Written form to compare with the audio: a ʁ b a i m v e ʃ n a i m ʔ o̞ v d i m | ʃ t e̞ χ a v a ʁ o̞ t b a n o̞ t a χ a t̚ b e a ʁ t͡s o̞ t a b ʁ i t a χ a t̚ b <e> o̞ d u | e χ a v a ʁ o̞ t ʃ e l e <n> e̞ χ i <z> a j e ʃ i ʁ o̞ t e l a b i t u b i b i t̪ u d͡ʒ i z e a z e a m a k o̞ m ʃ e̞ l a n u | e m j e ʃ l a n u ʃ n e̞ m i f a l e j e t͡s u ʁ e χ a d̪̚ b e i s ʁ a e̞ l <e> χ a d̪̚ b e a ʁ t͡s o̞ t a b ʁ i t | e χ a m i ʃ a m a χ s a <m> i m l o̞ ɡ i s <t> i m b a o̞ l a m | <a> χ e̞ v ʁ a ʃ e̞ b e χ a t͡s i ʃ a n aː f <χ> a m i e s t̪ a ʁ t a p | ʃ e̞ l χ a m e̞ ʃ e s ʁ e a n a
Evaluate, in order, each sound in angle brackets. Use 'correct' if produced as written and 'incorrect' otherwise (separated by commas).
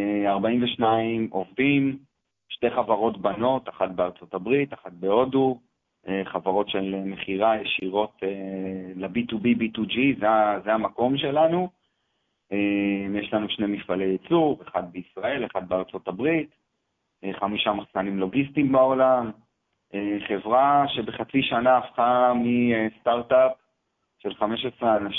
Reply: correct, incorrect, incorrect, correct, incorrect, correct, incorrect, correct